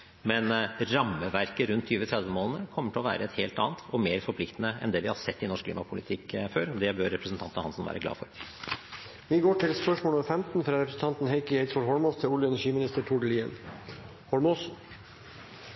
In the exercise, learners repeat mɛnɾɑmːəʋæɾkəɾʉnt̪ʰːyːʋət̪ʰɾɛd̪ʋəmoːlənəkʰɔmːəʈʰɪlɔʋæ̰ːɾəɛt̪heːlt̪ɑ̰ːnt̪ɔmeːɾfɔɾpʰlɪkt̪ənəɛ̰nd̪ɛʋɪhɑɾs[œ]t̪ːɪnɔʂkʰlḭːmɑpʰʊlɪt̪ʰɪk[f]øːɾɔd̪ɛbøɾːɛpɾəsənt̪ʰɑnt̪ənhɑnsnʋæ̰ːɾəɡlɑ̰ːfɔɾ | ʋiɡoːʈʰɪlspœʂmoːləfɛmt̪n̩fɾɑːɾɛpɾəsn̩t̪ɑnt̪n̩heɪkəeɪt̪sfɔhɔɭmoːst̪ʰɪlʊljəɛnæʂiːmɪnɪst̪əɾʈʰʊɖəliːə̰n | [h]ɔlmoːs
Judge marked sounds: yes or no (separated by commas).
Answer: no, yes, yes